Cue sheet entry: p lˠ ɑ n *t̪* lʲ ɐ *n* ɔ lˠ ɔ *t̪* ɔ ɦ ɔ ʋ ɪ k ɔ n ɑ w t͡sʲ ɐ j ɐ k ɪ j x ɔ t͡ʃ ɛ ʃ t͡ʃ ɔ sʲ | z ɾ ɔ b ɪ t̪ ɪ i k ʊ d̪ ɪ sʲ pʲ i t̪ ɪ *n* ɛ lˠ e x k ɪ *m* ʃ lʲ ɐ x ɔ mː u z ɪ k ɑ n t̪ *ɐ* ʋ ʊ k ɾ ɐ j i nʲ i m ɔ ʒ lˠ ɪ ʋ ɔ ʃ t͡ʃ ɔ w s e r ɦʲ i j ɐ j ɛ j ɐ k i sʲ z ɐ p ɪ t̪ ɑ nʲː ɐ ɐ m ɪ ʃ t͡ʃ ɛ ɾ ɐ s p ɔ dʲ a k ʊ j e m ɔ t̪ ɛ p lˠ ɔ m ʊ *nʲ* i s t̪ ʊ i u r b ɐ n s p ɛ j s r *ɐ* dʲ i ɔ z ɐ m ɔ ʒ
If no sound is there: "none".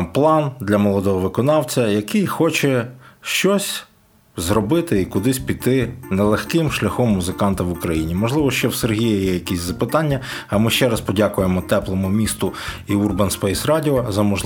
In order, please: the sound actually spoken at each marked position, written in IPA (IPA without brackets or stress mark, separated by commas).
d̪, m, d̪, n, m, ɐ, mʲ, ɑ